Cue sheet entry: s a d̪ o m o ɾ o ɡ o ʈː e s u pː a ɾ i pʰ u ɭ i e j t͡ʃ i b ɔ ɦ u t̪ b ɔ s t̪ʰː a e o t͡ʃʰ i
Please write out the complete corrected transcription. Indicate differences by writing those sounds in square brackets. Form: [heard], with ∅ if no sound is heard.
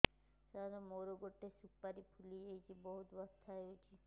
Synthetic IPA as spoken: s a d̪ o m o ɾ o ɡ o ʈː e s u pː a ɾ i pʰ u [l] i e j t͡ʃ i b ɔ ɦ u t̪ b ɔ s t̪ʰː a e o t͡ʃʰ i